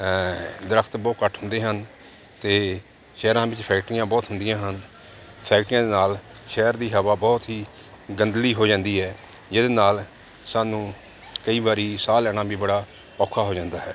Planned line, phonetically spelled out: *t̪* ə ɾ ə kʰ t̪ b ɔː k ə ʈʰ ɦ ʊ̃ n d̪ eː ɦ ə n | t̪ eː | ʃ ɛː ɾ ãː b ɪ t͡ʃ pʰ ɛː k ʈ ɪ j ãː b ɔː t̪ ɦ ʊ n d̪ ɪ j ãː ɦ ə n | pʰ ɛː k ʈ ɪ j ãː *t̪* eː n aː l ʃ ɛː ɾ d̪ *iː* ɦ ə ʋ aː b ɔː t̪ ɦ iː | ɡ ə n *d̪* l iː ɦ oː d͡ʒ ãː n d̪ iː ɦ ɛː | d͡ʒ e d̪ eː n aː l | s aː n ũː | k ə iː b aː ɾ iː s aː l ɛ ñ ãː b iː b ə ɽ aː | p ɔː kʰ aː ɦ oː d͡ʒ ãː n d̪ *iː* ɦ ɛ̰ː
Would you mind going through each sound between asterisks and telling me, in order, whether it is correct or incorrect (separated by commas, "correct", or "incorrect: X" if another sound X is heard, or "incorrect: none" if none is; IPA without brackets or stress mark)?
incorrect: d̪, incorrect: d̪, correct, correct, incorrect: aː